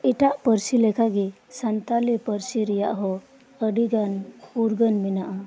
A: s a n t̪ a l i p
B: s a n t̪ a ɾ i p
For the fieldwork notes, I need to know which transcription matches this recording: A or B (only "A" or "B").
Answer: A